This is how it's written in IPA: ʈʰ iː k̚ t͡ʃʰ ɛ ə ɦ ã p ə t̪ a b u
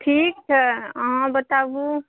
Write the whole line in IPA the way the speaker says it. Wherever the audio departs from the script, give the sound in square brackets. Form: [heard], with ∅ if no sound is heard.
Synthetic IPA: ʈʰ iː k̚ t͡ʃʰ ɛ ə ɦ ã [b] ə t̪ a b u